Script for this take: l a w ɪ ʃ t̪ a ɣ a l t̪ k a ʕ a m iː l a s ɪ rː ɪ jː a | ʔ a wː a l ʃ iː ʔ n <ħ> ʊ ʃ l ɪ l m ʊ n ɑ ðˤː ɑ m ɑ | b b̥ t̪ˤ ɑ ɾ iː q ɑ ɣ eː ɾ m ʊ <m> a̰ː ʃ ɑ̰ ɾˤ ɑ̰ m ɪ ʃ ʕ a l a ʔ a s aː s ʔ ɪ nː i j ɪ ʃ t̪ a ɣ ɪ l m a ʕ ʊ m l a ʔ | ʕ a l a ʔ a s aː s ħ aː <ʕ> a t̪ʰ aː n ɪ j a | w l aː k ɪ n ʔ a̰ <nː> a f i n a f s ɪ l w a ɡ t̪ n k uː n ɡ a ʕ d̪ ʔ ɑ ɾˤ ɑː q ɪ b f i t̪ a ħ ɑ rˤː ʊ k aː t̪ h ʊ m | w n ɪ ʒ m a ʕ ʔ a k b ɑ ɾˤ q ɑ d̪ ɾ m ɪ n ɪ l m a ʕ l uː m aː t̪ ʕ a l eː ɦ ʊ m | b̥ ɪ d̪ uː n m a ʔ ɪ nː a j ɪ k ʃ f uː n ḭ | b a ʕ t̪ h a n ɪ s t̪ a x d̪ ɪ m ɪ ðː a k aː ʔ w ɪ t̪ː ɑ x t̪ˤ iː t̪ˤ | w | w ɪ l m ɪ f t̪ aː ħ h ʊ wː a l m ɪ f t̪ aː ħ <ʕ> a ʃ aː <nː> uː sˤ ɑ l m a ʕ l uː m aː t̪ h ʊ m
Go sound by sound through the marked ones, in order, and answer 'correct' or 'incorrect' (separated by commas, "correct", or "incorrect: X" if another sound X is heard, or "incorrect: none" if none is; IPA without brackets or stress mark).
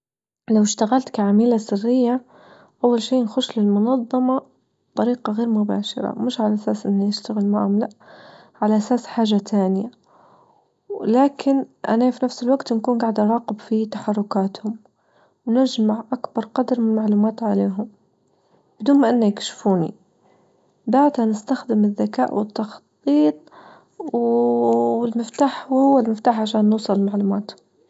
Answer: incorrect: x, incorrect: b, incorrect: ʒ, incorrect: n, correct, correct